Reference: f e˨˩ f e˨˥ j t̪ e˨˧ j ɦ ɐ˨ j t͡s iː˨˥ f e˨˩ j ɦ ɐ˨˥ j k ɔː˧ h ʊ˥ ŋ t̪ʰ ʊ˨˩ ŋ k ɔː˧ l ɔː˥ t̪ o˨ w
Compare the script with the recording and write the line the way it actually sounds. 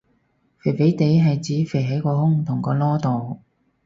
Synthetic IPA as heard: f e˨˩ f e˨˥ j t̪ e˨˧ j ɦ ɐ˨ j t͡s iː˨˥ f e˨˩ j ɦ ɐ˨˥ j k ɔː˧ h ʊ˥ ŋ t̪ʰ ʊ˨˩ ŋ k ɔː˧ l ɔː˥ t̪ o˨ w